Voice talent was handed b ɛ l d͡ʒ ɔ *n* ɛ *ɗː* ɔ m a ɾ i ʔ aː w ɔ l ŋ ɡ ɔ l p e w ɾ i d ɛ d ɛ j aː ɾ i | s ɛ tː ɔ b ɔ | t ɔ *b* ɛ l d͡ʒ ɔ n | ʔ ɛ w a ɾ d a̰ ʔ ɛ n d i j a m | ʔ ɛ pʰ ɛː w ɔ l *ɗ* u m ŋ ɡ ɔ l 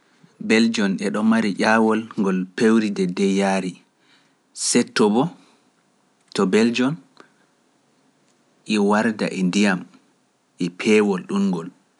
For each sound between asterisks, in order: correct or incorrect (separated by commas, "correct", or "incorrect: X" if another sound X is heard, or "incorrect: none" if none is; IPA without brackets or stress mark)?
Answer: correct, incorrect: ɗ, correct, correct